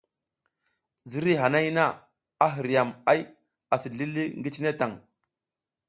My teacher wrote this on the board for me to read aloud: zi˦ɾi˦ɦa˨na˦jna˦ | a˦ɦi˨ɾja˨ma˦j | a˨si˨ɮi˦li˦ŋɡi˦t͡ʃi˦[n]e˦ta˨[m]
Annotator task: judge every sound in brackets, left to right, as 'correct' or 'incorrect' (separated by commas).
correct, incorrect